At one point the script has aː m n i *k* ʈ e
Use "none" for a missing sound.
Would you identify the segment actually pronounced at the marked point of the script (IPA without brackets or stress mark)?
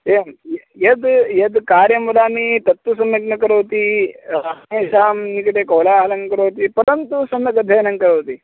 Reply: k